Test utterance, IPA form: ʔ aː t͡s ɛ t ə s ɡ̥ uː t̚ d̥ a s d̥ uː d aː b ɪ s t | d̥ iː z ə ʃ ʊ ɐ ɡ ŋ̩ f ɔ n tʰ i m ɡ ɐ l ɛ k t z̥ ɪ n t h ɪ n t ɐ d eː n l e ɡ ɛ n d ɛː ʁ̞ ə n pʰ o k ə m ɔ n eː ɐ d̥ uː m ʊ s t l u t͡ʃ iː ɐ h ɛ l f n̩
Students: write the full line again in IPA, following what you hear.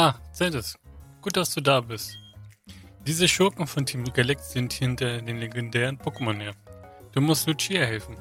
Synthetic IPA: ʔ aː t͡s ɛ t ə s ɡ̥ uː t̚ d̥ a s d̥ uː d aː b ɪ s t | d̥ iː z ə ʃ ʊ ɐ k ŋ̩ f ɔ n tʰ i m ɡ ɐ l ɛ k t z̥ ɪ n t h ɪ n t ɐ d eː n l e ɡ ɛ n d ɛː ʁ̞ ə n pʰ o k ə m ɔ n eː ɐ d̥ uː m ʊ s t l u t͡ʃ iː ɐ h ɛ l f n̩

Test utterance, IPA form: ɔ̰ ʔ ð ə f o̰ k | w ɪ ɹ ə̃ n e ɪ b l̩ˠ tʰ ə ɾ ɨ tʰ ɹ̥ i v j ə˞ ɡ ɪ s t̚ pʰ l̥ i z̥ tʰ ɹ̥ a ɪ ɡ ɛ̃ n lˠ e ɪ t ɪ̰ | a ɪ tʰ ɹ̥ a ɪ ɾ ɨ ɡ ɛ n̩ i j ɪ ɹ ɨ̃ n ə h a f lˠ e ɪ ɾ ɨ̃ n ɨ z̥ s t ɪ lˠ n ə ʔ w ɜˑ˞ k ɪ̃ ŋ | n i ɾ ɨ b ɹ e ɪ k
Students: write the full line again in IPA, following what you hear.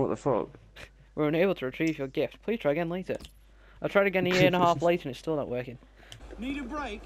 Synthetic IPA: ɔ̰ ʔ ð ə f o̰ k | w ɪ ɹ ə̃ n e ɪ b l̩ˠ tʰ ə ɹ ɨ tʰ ɹ̥ i v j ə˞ ɡ ɪ f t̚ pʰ l̥ i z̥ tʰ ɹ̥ a ɪ ɡ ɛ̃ n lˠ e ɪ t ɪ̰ | a ɪ tʰ ɹ̥ a ɪ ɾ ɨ ɡ ɛ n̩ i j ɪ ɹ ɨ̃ n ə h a f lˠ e ɪ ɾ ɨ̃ n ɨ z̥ s t ɪ lˠ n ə ʔ w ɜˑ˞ k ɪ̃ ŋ | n i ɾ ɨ b ɹ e ɪ k

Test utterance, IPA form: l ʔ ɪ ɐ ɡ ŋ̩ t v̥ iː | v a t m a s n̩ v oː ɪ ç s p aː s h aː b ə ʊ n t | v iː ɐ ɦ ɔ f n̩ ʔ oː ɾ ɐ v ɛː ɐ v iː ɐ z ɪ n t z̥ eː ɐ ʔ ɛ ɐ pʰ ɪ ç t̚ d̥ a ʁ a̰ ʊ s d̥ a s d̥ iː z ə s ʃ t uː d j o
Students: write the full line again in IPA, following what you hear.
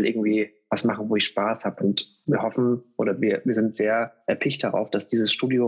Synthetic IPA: l ʔ ɪ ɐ ɡ ŋ̩ t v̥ iː | v a s m a χ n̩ v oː ɪ ç ʃ p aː s h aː b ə ʊ n t | v iː ɐ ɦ ɔ f n̩ ʔ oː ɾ ɐ v iː ɐ v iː ɐ z ɪ n t z̥ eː ɐ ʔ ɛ ɐ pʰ ɪ ç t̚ d̥ a ʁ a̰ ʊ f d̥ a s d̥ iː z ə s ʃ t uː d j o

